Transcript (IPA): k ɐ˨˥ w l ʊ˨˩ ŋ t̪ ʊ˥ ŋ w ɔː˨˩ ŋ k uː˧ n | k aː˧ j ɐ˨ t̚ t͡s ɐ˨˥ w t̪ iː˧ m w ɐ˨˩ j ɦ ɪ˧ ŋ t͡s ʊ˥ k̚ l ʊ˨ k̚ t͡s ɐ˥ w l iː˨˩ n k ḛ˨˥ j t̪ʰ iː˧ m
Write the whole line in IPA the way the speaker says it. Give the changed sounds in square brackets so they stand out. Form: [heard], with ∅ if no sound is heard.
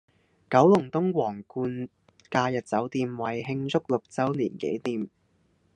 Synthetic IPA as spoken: k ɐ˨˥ w l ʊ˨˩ ŋ t̪ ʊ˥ ŋ w ɔː˨˩ ŋ k uː˧ n | k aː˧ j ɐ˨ t̚ t͡s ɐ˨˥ w t̪ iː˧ m w ɐ˨˩ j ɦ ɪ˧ ŋ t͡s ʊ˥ k̚ l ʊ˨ k̚ t͡s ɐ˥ w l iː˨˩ n k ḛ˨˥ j [t̪] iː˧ m

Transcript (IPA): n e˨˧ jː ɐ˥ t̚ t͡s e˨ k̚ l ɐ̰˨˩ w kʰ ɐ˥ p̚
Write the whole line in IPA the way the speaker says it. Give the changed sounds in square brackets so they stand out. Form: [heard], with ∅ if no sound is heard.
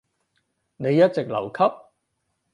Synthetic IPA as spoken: n e˨˧ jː ɐ˥ t̚ t͡s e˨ k̚ l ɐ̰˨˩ w kʰ ɐ˥ p̚

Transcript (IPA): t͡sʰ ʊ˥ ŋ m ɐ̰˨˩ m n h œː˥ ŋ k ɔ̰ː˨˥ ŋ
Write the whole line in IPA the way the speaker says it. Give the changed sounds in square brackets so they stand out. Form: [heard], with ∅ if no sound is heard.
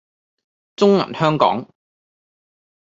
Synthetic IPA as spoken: [t͡s] ʊ˥ ŋ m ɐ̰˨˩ [∅] n h œː˥ ŋ k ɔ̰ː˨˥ ŋ

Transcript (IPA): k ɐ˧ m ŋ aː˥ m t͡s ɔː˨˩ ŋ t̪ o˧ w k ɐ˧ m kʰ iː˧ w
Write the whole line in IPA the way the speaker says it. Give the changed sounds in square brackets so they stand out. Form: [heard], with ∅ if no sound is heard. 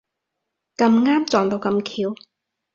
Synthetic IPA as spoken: k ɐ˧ m ŋ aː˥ m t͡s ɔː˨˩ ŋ t̪ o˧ w k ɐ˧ m kʰ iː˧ w

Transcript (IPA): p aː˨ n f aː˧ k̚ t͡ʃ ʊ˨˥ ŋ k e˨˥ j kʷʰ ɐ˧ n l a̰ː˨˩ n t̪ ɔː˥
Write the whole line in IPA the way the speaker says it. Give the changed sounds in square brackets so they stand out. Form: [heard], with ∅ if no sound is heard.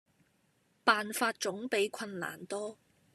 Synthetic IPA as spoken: p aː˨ n f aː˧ [t̚] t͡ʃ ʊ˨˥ ŋ [p] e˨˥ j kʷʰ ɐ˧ n l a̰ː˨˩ n t̪ ɔː˥

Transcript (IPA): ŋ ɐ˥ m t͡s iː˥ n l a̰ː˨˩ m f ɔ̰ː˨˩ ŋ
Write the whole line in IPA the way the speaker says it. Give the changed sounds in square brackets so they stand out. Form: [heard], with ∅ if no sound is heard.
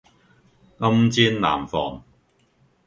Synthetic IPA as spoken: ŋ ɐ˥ m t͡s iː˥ n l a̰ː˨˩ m f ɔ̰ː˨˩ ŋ

